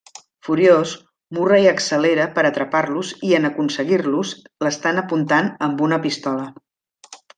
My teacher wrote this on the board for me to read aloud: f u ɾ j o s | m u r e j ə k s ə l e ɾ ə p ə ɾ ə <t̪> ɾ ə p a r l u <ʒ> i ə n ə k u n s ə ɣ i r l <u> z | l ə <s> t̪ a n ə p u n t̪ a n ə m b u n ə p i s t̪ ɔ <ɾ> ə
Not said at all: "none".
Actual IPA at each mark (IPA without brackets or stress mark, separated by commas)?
t̪, z, u, s, l